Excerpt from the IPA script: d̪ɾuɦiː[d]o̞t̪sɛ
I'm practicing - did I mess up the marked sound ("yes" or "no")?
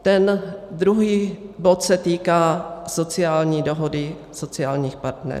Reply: yes